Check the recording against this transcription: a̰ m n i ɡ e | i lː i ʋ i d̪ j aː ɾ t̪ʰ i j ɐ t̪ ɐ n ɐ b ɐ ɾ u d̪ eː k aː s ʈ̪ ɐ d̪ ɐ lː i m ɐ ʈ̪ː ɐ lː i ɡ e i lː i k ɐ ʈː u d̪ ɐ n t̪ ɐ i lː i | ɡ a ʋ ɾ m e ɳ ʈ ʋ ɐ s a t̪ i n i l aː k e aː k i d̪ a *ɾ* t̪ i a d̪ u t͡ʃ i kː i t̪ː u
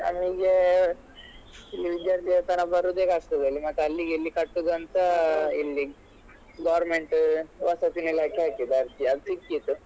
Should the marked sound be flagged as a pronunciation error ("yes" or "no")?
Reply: no